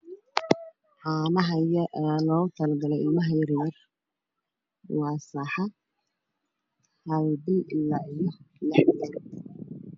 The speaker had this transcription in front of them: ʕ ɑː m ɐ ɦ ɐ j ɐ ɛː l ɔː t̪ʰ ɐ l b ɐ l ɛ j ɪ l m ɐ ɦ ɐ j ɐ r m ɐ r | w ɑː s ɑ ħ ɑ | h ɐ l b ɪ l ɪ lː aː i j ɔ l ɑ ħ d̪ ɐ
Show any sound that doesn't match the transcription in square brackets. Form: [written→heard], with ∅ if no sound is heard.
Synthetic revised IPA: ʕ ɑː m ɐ ɦ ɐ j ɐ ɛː l ɔː t̪ʰ ɐ l [b→ɡ] ɐ l ɛ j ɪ l m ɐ ɦ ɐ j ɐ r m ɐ r | w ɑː s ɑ ħ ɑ | h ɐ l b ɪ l ɪ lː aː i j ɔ l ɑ ħ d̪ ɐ